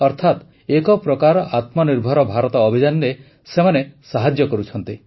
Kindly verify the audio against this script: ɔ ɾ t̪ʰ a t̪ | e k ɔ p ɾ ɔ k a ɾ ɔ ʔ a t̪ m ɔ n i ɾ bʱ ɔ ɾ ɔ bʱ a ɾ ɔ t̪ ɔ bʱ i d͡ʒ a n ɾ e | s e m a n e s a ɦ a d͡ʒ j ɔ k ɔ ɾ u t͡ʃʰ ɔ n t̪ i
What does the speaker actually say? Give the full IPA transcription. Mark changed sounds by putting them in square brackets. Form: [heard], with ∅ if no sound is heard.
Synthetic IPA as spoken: ɔ ɾ t̪ʰ a t̪ | e k ɔ p ɾ ɔ k a ɾ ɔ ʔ a t̪ m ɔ n i ɾ bʱ ɔ ɾ ɔ bʱ a ɾ ɔ t̪ [ɔː] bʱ i d͡ʒ a n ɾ e | s e m a n e s a ɦ a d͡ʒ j ɔ k ɔ ɾ u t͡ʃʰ ɔ n t̪ i

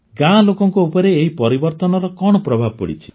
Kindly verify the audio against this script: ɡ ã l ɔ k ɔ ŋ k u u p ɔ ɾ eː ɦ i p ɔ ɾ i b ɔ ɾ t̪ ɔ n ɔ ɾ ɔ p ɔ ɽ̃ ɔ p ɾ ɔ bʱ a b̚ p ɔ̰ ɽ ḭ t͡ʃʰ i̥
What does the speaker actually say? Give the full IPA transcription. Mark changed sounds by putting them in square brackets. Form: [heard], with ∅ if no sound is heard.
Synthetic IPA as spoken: ɡ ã l [o] k ɔ ŋ k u u p ɔ ɾ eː ɦ i p ɔ ɾ i b ɔ ɾ t̪ ɔ n ɔ ɾ ɔ [k] ɔ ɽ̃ ɔ p ɾ ɔ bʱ a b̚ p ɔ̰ ɽ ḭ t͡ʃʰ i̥

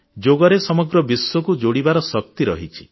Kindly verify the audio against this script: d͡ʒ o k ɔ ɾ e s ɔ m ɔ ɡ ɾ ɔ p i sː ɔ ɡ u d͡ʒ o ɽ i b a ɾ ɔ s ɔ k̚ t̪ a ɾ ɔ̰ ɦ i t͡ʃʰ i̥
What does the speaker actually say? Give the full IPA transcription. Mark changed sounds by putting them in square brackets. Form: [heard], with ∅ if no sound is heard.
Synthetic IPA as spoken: d͡ʒ o [ɡ] ɔ ɾ e s ɔ m ɔ ɡ ɾ ɔ [b] i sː ɔ [k] u d͡ʒ o ɽ i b a ɾ ɔ s ɔ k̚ t̪ [i] ɾ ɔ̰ ɦ i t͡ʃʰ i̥

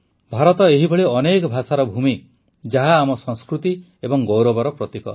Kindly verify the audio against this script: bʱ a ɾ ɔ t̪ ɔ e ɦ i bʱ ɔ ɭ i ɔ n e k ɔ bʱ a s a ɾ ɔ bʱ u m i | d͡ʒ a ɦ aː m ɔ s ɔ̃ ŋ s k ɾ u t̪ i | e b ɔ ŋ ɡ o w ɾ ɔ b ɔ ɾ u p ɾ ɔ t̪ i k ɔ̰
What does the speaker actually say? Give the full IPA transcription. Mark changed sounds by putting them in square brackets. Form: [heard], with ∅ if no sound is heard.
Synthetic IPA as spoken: bʱ a ɾ ɔ t̪ ɔ e ɦ i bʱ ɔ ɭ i ɔ n e k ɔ bʱ a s a ɾ ɔ bʱ u m i | d͡ʒ a ɦ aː m ɔ s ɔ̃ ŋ s k ɾ u t̪ i | e b ɔ ŋ ɡ o w ɾ ɔ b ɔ ɾ [ɔ] p ɾ ɔ t̪ i k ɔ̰

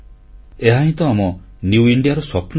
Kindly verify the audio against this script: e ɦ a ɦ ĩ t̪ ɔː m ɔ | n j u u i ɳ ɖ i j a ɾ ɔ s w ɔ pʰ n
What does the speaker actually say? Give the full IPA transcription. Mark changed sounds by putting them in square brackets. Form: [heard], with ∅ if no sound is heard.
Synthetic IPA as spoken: e ɦ a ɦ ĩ t̪ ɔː m ɔ | n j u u i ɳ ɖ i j a ɾ ɔ s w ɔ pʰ n

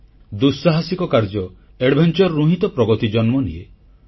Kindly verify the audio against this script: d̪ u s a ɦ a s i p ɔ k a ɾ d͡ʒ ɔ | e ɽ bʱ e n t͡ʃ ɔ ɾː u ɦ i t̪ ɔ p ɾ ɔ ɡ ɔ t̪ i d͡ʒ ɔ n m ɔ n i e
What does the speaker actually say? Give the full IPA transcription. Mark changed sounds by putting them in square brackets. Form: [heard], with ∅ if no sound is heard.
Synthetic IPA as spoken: d̪ u s a ɦ a s i [k] ɔ k a ɾ d͡ʒ ɔ | e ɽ bʱ e n t͡ʃ ɔ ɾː u ɦ i t̪ ɔ p ɾ ɔ ɡ ɔ t̪ i d͡ʒ ɔ n m ɔ n i e

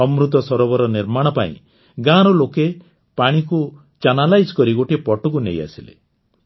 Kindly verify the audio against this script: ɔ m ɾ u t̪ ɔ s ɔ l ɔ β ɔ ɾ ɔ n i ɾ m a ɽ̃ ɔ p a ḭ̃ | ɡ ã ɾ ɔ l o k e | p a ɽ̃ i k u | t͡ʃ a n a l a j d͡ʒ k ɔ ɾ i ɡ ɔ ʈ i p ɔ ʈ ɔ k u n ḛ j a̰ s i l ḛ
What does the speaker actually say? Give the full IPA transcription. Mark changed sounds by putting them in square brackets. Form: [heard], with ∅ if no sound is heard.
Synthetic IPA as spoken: ɔ m ɾ u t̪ ɔ s ɔ [ɾ] ɔ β ɔ ɾ ɔ n i ɾ m a ɽ̃ ɔ p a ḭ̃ | ɡ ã ɾ ɔ l o k e | p a ɽ̃ i k u | t͡ʃ a n a l a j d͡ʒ k ɔ ɾ i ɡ [o] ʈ i p ɔ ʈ ɔ k u n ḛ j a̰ s i l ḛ

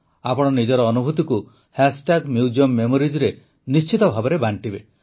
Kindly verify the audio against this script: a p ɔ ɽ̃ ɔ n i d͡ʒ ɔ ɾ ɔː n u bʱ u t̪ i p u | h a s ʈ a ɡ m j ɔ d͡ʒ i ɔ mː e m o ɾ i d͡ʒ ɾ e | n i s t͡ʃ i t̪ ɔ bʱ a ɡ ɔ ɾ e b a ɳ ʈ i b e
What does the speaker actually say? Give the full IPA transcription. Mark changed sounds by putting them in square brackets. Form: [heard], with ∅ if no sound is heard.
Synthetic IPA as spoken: a p ɔ ɽ̃ ɔ n i d͡ʒ ɔ ɾ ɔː n u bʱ u t̪ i [k] u | h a s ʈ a ɡ m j [u] d͡ʒ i ɔ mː e m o ɾ i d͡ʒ ɾ e | n i s t͡ʃ i t̪ ɔ bʱ a [b] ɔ ɾ e b a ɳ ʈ i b e

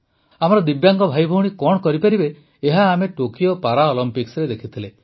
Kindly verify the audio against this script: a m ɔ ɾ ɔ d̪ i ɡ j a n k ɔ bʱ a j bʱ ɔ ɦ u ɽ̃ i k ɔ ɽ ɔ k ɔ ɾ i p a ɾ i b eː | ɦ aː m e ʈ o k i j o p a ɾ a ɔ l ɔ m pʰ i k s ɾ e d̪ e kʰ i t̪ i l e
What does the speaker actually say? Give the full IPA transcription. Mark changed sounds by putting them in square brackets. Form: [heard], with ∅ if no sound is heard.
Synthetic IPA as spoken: a m ɔ ɾ ɔ d̪ i [b] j a [ŋ] k ɔ bʱ a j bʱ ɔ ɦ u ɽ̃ i k ɔ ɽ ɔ k ɔ ɾ i p a ɾ i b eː | ɦ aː m e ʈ o k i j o p a ɾ a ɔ l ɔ m [p] i k s ɾ e d̪ e kʰ i [t̪ʰ] i l e

